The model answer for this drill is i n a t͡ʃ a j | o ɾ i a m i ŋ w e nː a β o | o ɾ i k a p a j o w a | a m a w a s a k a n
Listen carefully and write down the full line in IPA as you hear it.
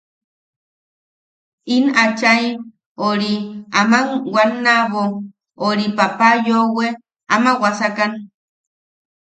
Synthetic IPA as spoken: i n a t͡ʃ a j | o ɾ i a m a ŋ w a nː a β o | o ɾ i p a p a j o w e | a m a w a s a k a n